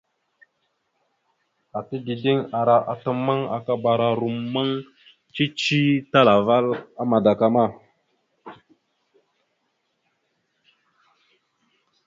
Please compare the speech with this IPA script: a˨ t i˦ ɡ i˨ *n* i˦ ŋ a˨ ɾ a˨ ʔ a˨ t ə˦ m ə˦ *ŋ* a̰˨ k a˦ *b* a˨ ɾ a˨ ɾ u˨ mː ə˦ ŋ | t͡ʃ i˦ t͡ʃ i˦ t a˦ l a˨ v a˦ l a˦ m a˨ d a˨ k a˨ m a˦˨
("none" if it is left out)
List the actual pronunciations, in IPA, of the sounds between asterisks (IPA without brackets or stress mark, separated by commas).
d, ŋ, b